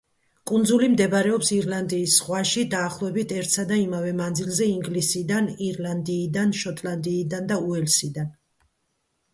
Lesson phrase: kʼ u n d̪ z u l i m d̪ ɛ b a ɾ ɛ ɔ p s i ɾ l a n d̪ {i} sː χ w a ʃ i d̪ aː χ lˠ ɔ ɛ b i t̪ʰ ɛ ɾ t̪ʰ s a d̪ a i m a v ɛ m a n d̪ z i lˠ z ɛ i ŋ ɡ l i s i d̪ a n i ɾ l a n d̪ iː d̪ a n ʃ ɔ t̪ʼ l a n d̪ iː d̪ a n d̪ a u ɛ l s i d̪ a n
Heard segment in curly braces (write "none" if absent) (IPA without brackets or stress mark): iː